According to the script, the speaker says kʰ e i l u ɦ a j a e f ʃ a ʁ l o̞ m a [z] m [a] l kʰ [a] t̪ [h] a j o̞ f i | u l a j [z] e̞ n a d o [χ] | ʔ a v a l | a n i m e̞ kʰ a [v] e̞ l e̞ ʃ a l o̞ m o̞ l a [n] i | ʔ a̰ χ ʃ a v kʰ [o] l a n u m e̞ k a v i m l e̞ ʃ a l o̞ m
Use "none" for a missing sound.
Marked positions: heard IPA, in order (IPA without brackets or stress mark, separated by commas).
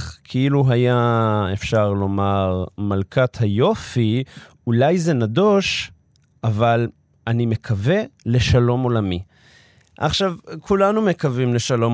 ʁ, a, a, h, z, ʃ, v, m, u